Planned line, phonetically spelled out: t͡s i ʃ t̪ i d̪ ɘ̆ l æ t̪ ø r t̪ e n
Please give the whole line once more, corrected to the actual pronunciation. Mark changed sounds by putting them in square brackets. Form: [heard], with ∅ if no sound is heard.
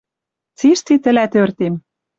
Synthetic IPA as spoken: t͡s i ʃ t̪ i [t̪] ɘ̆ l æ t̪ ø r t̪ e [m]